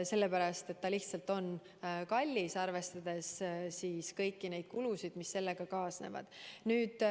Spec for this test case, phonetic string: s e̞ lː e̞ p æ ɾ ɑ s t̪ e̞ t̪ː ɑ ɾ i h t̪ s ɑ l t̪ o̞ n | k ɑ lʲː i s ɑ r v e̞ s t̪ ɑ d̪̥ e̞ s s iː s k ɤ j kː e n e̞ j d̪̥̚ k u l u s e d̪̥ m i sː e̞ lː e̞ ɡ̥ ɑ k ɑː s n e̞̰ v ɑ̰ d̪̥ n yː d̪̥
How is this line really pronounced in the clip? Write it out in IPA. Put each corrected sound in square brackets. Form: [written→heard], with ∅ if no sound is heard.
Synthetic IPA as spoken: s e̞ lː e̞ p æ ɾ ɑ s t̪ e̞ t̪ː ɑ [ɾ→l] i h t̪ s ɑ l t̪ o̞ n | k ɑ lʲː i s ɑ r v e̞ s t̪ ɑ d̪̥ e̞ s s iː s k ɤ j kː [e→i] n e̞ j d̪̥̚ k u l u s [e→i] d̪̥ m i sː e̞ lː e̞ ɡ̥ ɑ k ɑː s n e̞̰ v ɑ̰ d̪̥ n yː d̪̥